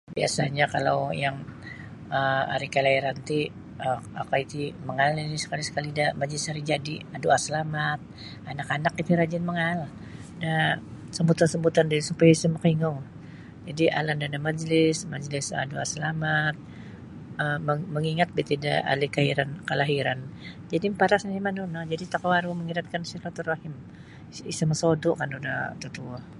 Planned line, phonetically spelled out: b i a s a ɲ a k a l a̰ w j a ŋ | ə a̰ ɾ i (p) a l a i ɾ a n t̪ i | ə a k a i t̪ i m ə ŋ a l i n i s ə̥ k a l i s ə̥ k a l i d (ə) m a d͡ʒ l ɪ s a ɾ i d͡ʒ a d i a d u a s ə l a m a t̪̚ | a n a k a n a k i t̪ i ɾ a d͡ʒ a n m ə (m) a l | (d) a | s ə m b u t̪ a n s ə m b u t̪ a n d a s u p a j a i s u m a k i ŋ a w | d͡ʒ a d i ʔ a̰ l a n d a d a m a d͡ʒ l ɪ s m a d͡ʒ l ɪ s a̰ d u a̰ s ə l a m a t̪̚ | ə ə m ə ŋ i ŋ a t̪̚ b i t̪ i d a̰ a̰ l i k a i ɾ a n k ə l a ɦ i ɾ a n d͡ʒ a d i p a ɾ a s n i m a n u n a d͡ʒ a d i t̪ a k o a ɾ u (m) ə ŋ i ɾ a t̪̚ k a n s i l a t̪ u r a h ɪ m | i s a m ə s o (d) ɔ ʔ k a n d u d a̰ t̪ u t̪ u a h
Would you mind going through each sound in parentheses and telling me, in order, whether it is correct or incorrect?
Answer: incorrect: k, incorrect: a, incorrect: ŋ, correct, correct, correct

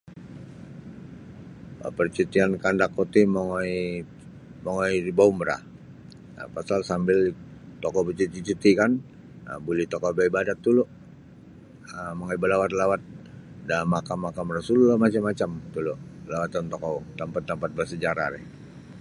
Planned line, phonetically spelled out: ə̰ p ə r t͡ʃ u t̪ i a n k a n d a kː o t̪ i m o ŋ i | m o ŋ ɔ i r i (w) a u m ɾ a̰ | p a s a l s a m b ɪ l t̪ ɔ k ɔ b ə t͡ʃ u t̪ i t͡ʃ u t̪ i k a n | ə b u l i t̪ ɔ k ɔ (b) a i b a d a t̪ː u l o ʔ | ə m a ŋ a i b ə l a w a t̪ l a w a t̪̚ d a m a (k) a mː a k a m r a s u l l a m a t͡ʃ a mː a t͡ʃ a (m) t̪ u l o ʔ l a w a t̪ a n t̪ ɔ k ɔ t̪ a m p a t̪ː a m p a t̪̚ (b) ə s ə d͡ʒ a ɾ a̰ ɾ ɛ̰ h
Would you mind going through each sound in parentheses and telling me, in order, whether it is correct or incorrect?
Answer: incorrect: b, correct, correct, correct, correct

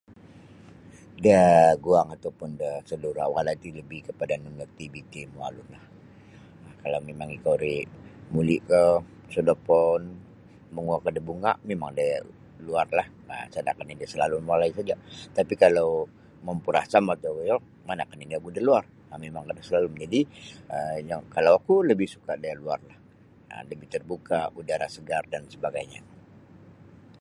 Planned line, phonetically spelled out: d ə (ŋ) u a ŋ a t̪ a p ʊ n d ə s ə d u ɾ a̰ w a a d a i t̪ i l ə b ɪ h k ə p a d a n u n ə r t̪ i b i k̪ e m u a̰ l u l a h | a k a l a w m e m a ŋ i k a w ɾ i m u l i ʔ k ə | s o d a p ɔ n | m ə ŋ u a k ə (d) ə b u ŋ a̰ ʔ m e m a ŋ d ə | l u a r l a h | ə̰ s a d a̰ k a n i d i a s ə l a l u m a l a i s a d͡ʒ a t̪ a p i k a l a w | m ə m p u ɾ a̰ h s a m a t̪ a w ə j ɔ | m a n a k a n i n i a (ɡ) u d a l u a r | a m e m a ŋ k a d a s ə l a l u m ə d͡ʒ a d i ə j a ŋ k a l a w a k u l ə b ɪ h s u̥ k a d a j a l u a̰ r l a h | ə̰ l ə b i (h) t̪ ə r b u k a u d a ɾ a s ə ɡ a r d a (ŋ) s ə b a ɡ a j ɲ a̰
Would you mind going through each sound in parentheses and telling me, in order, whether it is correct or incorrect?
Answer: incorrect: ɡ, correct, incorrect: k, correct, incorrect: n

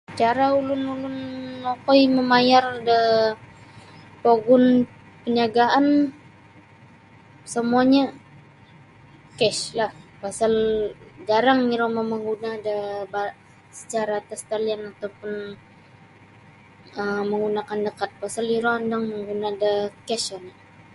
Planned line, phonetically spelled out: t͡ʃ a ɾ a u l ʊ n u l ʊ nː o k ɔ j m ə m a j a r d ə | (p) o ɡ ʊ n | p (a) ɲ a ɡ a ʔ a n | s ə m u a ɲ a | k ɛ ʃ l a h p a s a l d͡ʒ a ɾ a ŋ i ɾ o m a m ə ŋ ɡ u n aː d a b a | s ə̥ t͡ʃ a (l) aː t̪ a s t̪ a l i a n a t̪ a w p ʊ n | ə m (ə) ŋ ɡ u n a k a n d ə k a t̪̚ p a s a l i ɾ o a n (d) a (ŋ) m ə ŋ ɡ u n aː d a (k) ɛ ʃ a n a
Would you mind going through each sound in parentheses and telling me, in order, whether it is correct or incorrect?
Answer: correct, incorrect: ə, incorrect: ɾ, correct, correct, correct, correct

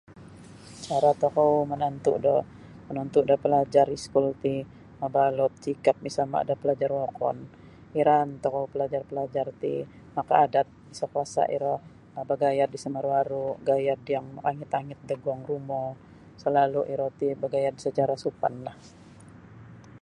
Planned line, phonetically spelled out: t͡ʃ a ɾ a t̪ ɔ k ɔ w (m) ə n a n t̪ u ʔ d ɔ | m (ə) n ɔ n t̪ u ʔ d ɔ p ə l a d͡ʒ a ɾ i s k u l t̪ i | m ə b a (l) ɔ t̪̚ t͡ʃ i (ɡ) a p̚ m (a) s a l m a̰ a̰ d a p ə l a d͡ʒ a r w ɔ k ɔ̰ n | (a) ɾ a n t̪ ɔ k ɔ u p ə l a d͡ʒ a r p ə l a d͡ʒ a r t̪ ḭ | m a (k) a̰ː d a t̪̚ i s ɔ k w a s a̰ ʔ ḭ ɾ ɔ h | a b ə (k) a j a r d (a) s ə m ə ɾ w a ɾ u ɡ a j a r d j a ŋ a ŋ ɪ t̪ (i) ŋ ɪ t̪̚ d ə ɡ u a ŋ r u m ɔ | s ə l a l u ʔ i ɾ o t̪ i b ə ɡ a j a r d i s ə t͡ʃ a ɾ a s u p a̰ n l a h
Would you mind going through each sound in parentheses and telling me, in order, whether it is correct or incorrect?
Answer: correct, correct, correct, incorrect: k, incorrect: i, incorrect: i, correct, incorrect: ɡ, incorrect: i, incorrect: a

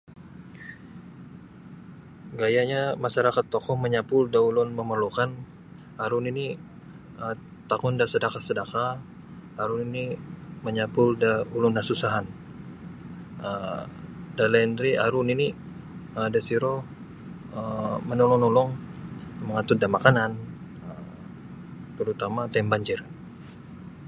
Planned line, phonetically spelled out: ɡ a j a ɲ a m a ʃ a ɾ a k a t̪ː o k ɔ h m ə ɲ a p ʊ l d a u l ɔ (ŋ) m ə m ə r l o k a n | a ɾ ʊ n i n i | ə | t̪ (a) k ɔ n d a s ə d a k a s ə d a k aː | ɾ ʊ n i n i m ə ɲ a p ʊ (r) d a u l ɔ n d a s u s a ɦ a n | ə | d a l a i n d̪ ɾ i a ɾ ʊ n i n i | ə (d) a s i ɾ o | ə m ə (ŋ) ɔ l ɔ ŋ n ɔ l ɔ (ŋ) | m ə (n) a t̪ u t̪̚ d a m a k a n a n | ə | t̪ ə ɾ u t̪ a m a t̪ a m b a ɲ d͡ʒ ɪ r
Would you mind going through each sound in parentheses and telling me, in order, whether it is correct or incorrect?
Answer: incorrect: n, correct, incorrect: l, correct, incorrect: n, correct, incorrect: ŋ

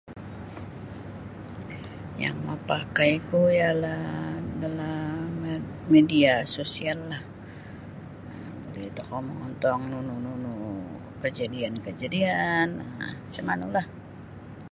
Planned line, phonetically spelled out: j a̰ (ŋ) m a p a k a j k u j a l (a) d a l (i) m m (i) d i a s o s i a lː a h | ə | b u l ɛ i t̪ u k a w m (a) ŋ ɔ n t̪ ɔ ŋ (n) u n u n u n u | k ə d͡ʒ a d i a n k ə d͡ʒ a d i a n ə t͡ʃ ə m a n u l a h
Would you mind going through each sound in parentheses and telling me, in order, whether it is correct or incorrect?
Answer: correct, correct, incorrect: a, incorrect: e, incorrect: ə, correct

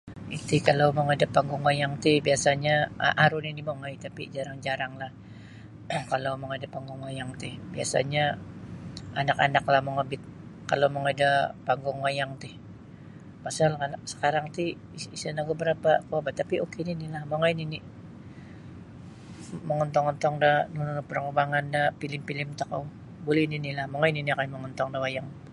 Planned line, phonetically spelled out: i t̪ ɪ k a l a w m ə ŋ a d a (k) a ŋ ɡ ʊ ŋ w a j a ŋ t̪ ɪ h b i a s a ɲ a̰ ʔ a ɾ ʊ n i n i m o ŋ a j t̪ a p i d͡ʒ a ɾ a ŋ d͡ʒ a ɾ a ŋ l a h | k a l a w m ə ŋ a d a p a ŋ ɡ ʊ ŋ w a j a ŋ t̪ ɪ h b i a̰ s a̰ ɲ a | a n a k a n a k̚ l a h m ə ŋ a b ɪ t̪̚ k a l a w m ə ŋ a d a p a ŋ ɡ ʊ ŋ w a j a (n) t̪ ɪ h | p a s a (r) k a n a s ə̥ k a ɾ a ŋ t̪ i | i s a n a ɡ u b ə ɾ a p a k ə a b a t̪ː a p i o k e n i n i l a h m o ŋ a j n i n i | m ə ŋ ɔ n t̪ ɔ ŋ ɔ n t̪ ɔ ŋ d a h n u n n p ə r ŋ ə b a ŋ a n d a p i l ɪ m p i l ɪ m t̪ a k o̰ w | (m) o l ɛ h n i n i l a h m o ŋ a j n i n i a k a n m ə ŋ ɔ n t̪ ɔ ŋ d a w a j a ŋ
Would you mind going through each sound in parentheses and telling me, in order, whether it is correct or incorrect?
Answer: incorrect: p, incorrect: ŋ, incorrect: l, incorrect: b

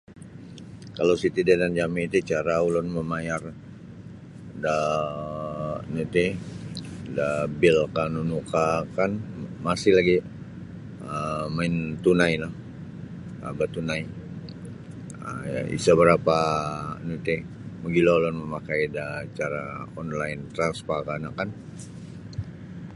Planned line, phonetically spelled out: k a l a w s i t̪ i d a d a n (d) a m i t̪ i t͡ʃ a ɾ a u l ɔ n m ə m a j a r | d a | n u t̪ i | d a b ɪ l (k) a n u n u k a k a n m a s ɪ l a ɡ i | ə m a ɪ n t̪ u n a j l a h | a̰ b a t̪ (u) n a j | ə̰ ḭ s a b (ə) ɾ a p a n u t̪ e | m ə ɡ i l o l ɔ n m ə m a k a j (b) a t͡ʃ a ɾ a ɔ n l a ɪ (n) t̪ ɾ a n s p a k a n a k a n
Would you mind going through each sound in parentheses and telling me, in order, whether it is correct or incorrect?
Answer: incorrect: d͡ʒ, correct, correct, correct, incorrect: d, correct

